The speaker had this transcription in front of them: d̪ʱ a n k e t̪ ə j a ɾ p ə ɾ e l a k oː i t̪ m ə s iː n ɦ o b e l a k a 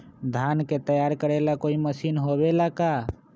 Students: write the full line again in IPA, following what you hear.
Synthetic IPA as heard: d̪ʱ a n k e t̪ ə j a ɾ k ə ɾ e l a k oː i m ə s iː n ɦ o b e l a k a